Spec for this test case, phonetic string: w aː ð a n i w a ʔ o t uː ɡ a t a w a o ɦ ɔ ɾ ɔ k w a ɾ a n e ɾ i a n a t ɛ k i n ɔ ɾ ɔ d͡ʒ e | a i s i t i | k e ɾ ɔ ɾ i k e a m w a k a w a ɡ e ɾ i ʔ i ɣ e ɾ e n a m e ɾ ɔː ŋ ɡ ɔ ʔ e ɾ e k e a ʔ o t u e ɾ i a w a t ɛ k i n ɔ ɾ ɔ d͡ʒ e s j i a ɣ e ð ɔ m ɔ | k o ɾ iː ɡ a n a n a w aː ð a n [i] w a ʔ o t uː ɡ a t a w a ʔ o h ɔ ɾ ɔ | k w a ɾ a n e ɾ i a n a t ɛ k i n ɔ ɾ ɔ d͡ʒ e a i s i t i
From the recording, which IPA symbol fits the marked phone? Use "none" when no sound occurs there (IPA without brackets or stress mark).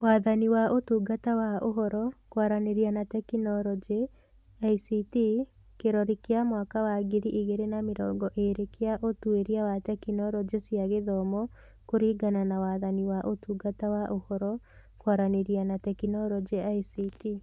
i